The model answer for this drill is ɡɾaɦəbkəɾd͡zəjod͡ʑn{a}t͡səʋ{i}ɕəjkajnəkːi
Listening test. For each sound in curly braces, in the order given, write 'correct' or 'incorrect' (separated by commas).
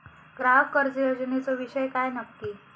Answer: incorrect, correct